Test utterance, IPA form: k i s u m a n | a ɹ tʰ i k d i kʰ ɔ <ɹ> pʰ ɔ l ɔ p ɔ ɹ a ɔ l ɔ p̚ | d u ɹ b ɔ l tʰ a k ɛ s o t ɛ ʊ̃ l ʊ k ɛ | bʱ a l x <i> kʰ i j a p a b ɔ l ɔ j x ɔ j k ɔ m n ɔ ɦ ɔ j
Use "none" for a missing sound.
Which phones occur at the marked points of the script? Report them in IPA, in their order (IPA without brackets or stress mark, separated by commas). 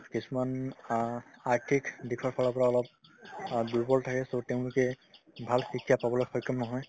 ɹ, i